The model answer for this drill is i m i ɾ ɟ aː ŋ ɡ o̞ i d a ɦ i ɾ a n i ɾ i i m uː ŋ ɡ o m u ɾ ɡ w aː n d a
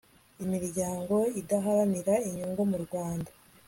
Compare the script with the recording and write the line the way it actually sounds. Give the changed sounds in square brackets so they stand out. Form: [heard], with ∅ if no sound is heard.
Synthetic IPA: i m i ɾ ɟ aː ŋ ɡ o̞ i d a ɦ [a] ɾ a n i ɾ [a] i [ɲ] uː ŋ ɡ o m u ɾ ɡ w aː n d a

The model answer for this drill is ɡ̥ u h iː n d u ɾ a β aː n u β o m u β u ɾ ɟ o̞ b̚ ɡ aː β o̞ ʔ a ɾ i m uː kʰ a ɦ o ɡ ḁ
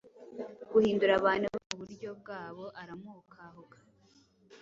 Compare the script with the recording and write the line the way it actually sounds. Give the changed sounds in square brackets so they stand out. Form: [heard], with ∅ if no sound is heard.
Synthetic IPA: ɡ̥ u h iː n d u ɾ a β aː n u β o m u β u ɾ ɟ o̞ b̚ ɡ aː β o̞ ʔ a ɾ [a] m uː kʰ a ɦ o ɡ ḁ

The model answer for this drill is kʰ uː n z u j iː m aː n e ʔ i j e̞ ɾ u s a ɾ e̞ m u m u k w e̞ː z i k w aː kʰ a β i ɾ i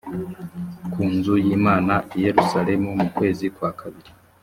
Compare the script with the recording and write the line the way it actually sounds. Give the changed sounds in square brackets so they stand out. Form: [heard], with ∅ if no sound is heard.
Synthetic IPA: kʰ uː n z u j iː m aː n [a] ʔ i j e̞ ɾ u s a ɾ e̞ m u m u k w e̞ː z i k w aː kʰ a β i ɾ i

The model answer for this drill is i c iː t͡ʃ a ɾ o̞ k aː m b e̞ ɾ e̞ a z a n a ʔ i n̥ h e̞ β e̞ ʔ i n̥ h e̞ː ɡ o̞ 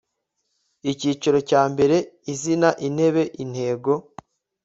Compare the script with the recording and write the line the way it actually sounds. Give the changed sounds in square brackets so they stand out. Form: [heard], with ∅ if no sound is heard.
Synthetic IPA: i c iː t͡ʃ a ɾ o̞ [c] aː m b e̞ ɾ e̞ [i] z [i] n a ʔ i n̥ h e̞ β e̞ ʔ i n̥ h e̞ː ɡ o̞

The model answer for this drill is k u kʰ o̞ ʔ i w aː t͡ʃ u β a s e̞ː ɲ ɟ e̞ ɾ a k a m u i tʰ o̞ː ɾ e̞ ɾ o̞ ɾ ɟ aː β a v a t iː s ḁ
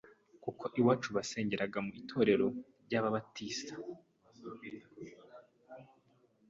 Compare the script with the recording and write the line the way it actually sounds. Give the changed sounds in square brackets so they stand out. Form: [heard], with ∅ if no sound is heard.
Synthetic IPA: k u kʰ o̞ ʔ i w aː t͡ʃ u β a s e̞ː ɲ ɟ e̞ ɾ a [ɡ] a m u i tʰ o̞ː ɾ e̞ ɾ o̞ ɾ ɟ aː β a [β] a t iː s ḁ

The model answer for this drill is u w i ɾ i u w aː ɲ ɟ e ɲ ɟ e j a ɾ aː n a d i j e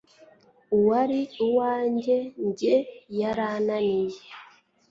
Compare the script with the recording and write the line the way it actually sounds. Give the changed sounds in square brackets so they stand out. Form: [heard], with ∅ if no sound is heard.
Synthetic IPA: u w [a] ɾ i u w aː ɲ ɟ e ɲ ɟ e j a ɾ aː n a [n] i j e

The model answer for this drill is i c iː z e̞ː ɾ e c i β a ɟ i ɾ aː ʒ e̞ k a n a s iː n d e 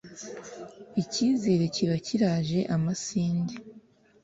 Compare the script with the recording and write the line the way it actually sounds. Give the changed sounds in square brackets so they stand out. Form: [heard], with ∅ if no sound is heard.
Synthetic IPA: i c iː z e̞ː ɾ e c i β a [c] i ɾ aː ʒ e̞ [ʔ] a [m] a s iː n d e

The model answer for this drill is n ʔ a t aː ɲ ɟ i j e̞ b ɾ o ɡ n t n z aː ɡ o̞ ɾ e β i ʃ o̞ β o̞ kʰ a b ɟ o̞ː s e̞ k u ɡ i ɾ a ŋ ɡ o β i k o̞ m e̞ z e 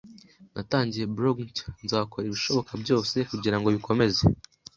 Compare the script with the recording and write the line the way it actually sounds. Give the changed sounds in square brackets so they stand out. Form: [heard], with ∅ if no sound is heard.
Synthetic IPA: n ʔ a t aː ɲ ɟ i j e̞ b ɾ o ɡ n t n z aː [k] o̞ ɾ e β i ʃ o̞ β o̞ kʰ a b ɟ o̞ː s e̞ k u [ɟ] i ɾ a ŋ ɡ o β i k o̞ m e̞ z e

